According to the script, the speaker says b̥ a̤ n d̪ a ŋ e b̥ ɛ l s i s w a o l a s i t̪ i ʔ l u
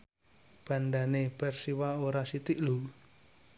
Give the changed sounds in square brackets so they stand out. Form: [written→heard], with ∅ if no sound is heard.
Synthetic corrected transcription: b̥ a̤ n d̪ a [ŋ→n] e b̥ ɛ [l→r] s i [s→∅] w a o [l→ɾ] a s i t̪ i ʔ l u

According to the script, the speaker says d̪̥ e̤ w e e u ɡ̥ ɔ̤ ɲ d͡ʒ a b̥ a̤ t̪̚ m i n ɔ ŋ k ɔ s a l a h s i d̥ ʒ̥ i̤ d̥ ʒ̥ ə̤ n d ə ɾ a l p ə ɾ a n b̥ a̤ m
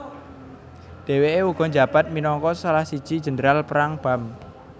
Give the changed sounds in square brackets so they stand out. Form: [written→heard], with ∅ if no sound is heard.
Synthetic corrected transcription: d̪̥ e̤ w e e u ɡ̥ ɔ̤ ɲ d͡ʒ a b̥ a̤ t̪̚ m i n ɔ ŋ k ɔ s a l a h s i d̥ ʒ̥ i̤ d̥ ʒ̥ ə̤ n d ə ɾ a l p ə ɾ a [n→ŋ] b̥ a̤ m

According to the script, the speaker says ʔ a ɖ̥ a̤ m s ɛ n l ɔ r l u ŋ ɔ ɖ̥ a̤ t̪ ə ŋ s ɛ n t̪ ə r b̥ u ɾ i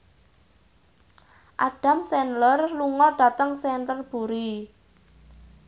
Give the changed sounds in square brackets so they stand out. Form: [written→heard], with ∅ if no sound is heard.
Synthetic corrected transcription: ʔ a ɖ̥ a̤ m s ɛ n l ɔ r l u ŋ ɔ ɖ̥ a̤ t̪ ə ŋ s ɛ n t̪ ə r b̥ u ɾ i

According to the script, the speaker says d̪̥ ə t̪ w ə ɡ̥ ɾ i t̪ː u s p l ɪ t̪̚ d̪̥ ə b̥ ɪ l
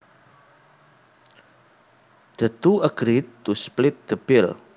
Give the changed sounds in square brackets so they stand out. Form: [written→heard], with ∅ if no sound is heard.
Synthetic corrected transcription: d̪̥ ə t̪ [w→u] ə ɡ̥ ɾ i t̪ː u s p l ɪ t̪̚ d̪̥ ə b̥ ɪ l

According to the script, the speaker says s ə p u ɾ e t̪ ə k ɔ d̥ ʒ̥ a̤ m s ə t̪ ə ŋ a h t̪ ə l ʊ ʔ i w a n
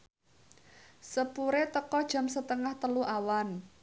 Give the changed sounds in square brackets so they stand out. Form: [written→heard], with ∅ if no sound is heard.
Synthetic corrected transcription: s ə p u ɾ e t̪ ə k ɔ d̥ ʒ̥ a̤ m s ə t̪ ə ŋ a h t̪ ə l [ʊ→u] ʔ [i→a] w a n

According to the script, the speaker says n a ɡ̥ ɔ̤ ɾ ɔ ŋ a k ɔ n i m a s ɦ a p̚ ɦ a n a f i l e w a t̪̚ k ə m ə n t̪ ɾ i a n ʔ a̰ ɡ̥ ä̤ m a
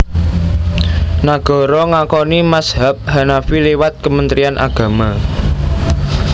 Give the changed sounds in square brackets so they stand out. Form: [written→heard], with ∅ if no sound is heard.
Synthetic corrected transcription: n a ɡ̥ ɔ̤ ɾ ɔ ŋ a k ɔ n i m a s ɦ a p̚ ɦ a n a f i l e w a t̪̚ k ə m ə n t̪ ɾ i a n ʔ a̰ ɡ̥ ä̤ m a

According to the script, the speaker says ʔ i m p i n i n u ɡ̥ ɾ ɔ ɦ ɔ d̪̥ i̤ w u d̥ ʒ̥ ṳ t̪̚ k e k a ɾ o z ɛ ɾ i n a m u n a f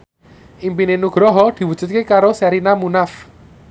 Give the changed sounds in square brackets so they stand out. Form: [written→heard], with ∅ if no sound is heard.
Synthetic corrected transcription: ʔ i m p i n [i→e] n u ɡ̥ ɾ ɔ ɦ ɔ d̪̥ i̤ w u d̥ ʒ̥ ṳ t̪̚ k e k a ɾ o [z→s] ɛ ɾ i n a m u n a f

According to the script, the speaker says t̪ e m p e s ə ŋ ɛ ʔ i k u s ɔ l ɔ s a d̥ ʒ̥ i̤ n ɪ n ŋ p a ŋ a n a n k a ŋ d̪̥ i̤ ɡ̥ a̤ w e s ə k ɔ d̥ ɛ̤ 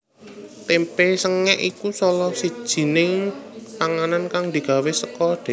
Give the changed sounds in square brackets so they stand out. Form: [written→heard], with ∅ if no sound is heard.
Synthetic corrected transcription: t̪ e m p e s ə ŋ ɛ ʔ i k u s ɔ l ɔ s [a→i] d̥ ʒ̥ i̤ n ɪ [n→∅] ŋ p a ŋ a n a n k a ŋ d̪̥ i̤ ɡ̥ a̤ w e s ə k ɔ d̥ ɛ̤

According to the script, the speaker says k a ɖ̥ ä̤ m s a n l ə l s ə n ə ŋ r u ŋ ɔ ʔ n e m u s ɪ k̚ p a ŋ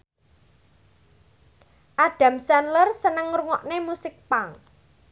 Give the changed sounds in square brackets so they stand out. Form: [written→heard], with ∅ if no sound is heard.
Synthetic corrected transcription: [k→ʔ] a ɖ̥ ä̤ m s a n l ə [l→r] s ə n ə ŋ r u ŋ ɔ ʔ n e m u s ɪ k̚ p a ŋ

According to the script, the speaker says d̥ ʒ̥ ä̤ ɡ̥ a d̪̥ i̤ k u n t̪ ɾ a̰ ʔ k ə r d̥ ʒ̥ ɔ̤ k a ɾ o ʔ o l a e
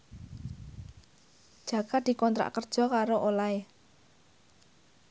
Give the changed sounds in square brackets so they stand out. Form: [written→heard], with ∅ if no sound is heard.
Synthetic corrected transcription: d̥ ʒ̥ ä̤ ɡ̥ a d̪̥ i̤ k [u→ɔ] n t̪ ɾ a̰ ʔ k ə r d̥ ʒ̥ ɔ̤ k a ɾ o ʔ o l a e

